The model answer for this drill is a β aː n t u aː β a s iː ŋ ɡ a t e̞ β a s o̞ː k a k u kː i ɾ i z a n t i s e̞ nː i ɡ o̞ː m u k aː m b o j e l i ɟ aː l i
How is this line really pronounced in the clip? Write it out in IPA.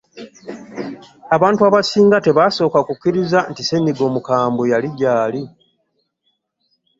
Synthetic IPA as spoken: a β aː n t u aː β a s iː ŋ ɡ a t e̞ β a s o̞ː k a k u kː i ɾ i z a n t i s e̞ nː i ɡ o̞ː m u k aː m b o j a l i ɟ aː l i